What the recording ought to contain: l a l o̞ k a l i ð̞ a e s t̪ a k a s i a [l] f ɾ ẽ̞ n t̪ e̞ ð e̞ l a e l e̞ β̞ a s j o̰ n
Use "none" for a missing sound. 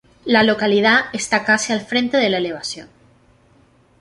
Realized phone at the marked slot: l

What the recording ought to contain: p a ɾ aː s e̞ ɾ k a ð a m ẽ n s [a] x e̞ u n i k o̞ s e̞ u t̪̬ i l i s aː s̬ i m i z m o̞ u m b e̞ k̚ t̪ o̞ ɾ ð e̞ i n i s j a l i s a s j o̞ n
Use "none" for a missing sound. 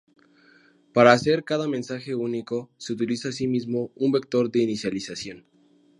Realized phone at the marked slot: a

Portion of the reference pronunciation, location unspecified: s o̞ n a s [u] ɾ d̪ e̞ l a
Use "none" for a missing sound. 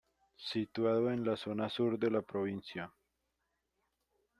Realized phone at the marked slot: u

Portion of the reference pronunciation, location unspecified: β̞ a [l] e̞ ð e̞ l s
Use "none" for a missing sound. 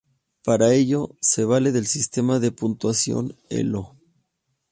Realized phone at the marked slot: l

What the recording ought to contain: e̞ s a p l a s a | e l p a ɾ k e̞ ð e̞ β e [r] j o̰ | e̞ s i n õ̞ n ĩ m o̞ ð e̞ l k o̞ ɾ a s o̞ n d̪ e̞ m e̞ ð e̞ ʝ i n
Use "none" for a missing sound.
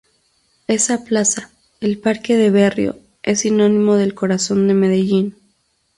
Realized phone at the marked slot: r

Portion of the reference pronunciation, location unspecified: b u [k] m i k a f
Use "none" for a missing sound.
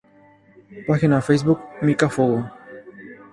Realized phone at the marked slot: k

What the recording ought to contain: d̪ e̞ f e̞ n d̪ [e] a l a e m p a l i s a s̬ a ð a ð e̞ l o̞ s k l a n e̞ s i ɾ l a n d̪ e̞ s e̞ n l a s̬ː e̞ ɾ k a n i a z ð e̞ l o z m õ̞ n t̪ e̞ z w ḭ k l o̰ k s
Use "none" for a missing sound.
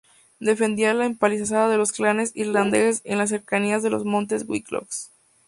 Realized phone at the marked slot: i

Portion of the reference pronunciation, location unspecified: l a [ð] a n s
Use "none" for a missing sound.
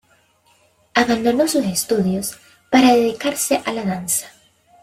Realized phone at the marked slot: ð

